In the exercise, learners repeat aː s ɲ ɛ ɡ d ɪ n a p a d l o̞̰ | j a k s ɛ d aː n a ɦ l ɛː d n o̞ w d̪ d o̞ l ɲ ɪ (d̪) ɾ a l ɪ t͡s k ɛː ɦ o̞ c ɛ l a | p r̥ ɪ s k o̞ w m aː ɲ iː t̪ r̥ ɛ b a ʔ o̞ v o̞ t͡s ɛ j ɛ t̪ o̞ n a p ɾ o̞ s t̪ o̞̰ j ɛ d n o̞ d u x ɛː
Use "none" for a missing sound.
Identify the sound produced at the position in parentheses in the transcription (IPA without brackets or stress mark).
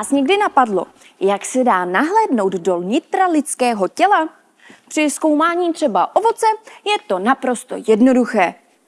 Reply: t̪